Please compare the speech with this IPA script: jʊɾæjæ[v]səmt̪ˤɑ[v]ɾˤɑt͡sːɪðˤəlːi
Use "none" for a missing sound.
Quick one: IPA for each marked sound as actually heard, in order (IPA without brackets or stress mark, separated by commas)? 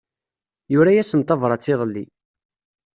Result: none, v